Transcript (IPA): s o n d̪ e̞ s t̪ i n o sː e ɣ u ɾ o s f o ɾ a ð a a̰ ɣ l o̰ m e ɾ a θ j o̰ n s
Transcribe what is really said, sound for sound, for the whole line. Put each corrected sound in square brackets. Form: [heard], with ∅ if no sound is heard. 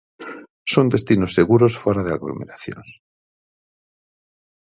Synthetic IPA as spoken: s o n d̪ e̞ s t̪ i n o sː e ɣ u ɾ o s f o ɾ a ð [e] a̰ ɣ l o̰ m e ɾ a θ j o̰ n s